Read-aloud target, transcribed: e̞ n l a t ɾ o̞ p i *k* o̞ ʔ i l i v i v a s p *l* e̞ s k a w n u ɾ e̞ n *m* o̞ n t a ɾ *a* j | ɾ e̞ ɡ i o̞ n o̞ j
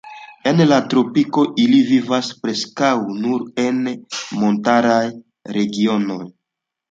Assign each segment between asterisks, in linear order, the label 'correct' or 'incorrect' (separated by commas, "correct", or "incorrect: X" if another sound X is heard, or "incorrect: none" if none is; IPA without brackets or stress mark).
correct, incorrect: ɾ, correct, correct